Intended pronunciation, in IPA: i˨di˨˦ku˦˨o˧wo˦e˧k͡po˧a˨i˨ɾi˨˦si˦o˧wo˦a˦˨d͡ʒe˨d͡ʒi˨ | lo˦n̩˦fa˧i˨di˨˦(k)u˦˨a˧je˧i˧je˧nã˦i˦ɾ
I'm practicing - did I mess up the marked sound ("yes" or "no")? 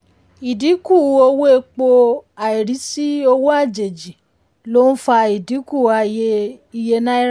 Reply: no